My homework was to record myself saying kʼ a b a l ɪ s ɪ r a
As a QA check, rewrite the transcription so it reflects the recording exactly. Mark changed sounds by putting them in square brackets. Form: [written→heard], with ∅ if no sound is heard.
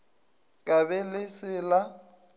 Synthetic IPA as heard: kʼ a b [a→ɛ] l ɪ s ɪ [r→l] a